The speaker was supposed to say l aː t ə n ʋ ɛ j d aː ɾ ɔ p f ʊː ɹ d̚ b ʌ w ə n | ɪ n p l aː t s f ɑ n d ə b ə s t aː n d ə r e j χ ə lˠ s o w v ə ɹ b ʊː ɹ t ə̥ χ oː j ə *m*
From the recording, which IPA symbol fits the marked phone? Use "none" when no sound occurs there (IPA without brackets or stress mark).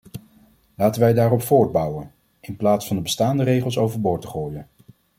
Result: n